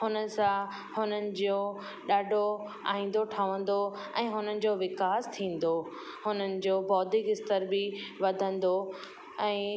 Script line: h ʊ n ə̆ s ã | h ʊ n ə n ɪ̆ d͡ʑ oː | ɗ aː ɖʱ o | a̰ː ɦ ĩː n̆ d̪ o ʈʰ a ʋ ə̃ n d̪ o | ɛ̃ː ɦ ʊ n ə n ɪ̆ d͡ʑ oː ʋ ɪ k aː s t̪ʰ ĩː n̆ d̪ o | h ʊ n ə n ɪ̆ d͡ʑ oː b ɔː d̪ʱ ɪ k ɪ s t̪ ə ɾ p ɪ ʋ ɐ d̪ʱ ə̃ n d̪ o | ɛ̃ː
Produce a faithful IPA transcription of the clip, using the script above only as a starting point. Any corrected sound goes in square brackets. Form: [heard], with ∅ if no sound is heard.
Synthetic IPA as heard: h ʊ n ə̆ s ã | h ʊ n ə n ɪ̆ d͡ʑ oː | ɗ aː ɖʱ o | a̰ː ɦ ĩː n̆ d̪ o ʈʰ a ʋ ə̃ n d̪ o | ɛ̃ː ɦ ʊ n ə n ɪ̆ d͡ʑ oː ʋ ɪ k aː s t̪ʰ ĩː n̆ d̪ o | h ʊ n ə n ɪ̆ d͡ʑ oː b ɔː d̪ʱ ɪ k ɪ s t̪ ə ɾ [b] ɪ ʋ ɐ d̪ʱ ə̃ n d̪ o | ɛ̃ː

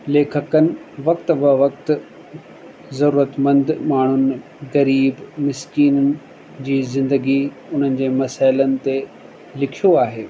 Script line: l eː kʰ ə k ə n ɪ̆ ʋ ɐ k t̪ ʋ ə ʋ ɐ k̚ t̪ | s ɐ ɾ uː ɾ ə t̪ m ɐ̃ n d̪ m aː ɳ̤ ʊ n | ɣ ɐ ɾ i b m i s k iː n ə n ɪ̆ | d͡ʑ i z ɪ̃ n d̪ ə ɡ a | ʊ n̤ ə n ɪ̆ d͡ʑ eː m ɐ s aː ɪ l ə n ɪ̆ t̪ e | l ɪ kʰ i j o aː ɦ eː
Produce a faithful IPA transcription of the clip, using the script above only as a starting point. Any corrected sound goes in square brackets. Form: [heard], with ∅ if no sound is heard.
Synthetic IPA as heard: l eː kʰ ə k ə n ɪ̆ ʋ ɐ k t̪ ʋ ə ʋ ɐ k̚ t̪ | [z] ɐ ɾ uː ɾ ə t̪ m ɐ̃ n d̪ m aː ɳ̤ ʊ n | ɣ ɐ ɾ [iː] b m [ɪ] s k iː n ə n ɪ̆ | d͡ʑ [iː] z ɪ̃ n d̪ ə ɡ [i] | ʊ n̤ ə n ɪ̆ d͡ʑ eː m ɐ s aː ɪ l ə n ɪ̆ t̪ e | l ɪ kʰ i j o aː ɦ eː

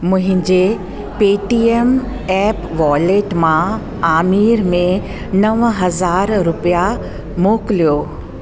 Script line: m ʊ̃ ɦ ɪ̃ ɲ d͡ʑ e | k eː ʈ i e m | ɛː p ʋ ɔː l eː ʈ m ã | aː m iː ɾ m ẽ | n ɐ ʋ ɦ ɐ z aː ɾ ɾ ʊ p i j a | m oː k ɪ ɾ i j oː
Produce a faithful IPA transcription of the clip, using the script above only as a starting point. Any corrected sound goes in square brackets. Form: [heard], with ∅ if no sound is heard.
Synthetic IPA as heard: m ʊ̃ ɦ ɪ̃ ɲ d͡ʑ e | [p] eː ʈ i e m | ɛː p ʋ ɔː l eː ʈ m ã | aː m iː ɾ m ẽ | n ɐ ʋ ɦ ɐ z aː ɾ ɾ ʊ p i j a | m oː k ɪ [l] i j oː

